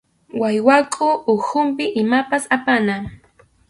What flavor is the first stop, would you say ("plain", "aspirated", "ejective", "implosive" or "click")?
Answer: ejective